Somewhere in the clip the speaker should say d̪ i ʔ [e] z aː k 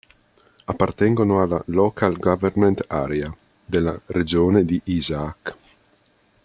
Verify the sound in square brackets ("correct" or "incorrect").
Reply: incorrect